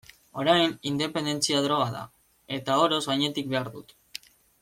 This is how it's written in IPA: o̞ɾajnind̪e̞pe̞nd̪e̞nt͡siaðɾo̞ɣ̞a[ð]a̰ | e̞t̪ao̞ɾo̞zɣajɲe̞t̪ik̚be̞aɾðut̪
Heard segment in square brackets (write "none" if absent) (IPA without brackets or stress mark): ð